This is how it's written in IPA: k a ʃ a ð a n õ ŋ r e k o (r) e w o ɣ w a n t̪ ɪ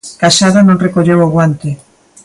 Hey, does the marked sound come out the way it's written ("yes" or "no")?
no